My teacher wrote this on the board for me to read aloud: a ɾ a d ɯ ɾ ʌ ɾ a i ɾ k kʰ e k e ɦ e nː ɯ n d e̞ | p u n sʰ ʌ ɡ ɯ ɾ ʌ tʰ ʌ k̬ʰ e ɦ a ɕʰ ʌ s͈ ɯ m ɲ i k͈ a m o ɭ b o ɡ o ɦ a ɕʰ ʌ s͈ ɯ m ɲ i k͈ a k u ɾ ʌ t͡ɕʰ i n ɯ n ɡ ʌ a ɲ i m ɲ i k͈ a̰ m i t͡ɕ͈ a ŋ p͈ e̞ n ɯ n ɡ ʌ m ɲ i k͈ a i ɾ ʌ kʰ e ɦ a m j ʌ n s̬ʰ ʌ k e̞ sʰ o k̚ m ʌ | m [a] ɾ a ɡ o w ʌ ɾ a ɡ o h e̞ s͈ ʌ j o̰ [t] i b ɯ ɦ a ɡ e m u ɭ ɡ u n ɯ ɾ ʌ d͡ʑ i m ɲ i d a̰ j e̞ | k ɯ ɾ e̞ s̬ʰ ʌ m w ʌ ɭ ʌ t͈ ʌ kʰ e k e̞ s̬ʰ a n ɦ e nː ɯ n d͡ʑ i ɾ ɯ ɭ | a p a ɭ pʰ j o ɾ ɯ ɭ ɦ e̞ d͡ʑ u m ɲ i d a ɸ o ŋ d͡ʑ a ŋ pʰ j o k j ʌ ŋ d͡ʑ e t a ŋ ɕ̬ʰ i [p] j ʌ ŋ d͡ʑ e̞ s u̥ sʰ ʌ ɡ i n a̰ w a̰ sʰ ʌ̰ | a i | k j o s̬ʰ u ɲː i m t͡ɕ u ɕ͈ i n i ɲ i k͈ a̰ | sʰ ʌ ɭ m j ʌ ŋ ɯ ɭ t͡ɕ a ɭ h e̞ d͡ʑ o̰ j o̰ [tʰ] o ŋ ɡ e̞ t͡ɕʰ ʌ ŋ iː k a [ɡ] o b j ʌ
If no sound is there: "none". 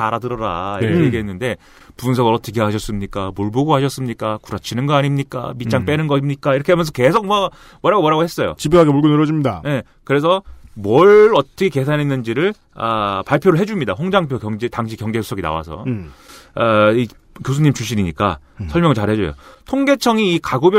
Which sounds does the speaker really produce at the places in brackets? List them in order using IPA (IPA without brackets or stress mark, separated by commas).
ʌ, t͡ɕ, k, tʰ, ɡ